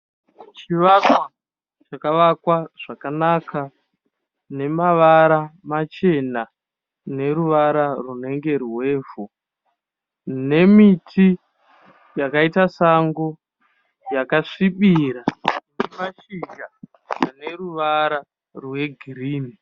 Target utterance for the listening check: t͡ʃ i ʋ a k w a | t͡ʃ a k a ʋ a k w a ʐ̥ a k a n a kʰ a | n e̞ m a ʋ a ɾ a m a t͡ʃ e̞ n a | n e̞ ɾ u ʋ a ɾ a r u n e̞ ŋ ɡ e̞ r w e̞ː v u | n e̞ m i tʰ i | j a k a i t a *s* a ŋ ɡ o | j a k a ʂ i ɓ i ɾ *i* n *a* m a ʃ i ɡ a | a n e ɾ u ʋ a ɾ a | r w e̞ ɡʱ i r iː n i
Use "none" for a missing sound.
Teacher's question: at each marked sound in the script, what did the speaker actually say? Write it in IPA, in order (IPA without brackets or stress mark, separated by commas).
s, a, e